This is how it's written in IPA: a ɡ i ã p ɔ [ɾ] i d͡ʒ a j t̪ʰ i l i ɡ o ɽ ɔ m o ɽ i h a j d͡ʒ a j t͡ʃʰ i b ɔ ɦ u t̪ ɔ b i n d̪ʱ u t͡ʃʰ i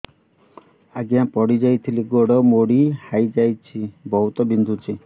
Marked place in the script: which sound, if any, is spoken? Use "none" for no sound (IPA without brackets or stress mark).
ɽ